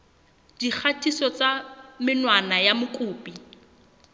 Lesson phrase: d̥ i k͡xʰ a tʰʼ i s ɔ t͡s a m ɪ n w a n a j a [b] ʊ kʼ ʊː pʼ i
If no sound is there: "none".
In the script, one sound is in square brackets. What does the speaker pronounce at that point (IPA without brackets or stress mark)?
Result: m